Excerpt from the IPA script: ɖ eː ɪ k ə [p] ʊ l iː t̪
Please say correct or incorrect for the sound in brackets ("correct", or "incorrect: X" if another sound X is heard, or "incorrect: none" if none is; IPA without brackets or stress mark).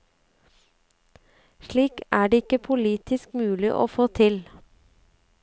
incorrect: pʰ